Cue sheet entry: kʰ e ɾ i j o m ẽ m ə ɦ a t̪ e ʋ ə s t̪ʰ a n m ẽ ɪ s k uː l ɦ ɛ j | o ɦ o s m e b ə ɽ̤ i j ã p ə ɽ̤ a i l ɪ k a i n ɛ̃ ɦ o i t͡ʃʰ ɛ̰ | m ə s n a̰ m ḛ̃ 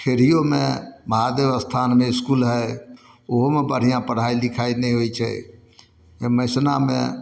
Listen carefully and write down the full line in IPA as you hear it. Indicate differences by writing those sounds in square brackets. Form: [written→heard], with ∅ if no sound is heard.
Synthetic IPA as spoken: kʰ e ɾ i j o m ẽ m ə ɦ a [t̪→d̪] e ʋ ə s t̪ʰ a n m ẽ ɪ s k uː l ɦ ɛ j | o ɦ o [s→∅] m e b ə ɽ̤ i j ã p ə ɽ̤ a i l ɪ [k→kʰ] a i n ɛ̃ ɦ o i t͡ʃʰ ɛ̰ | m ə s n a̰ m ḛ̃